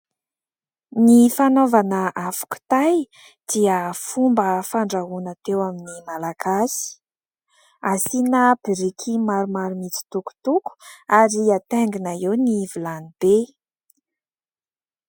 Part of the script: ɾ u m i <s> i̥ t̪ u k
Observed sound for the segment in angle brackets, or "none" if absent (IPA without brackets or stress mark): t͡s